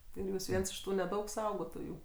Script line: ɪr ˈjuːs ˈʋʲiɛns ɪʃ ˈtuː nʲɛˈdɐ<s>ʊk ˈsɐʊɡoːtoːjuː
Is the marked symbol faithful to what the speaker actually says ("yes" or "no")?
no